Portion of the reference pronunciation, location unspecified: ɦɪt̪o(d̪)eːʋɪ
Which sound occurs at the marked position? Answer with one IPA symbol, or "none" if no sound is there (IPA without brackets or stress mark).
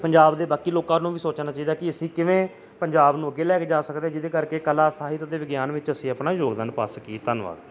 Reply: d̪